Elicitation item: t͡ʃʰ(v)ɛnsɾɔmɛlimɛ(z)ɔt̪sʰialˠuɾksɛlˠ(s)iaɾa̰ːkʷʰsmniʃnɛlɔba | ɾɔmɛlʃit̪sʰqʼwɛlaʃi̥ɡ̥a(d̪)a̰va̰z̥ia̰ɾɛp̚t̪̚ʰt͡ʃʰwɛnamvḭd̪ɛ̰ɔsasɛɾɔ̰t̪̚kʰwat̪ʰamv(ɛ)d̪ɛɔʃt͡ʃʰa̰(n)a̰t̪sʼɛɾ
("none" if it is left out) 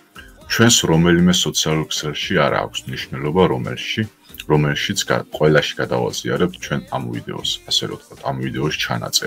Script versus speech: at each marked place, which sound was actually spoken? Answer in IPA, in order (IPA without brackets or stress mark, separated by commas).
w, s, ʃ, d̪, i, n